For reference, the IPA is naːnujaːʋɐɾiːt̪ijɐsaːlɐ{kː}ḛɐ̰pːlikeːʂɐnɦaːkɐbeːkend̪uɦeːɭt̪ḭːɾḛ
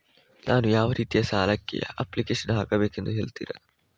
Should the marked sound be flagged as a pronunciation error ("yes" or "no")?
no